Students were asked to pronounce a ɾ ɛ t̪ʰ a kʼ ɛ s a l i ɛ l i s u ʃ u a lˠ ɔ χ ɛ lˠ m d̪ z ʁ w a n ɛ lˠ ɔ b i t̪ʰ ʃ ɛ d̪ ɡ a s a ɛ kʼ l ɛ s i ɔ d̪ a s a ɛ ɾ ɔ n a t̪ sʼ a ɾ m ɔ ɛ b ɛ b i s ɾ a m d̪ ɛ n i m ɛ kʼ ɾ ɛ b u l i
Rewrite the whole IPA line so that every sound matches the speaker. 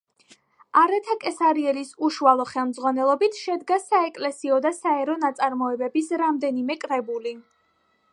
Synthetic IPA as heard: a ɾ ɛ t̪ʰ a kʼ ɛ s a ɾ i ɛ l i s u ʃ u a lˠ ɔ χ ɛ lˠ m d̪ z ʁ w a n ɛ lˠ ɔ b i t̪ʰ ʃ ɛ d̪ ɡ a s a ɛ kʼ l ɛ s i ɔ d̪ a s a ɛ ɾ ɔ n a t̪ sʼ a ɾ m ɔ ɛ b ɛ b i s ɾ a m d̪ ɛ n i m ɛ kʼ ɾ ɛ b u l i